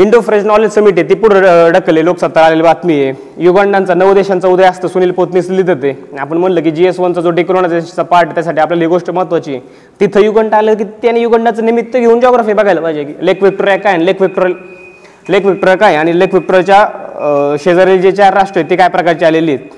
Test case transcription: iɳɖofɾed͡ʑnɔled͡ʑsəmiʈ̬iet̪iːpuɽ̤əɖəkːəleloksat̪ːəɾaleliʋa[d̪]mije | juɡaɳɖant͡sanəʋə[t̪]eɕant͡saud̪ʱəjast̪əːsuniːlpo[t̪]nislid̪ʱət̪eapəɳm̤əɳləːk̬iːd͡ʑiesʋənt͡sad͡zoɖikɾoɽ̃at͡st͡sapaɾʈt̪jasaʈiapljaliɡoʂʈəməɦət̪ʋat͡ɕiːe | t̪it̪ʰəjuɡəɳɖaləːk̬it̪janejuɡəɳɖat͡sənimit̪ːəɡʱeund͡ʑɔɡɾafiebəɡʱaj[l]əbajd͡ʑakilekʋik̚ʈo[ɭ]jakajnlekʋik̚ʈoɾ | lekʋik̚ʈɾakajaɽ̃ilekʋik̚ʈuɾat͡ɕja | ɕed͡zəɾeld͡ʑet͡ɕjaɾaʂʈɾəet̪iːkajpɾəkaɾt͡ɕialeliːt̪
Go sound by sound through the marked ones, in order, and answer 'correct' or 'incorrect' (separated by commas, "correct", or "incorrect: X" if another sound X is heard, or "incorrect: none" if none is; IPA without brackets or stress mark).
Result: incorrect: t̪, incorrect: d̪, correct, correct, incorrect: ɾ